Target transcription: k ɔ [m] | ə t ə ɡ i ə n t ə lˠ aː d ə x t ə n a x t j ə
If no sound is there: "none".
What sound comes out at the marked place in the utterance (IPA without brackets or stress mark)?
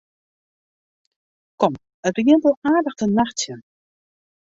m